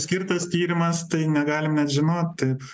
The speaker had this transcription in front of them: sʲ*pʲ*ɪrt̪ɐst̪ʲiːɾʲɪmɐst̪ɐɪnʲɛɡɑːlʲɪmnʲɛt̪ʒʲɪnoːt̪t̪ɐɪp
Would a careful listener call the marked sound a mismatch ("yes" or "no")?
yes